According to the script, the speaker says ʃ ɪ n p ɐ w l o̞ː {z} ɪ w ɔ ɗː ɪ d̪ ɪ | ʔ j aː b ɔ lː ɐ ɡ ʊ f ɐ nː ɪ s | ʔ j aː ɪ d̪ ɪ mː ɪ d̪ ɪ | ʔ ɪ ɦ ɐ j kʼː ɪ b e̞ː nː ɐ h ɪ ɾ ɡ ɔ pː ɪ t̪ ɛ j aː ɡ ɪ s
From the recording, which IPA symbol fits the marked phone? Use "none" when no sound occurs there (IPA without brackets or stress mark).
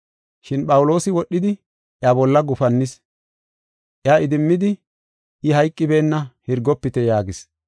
s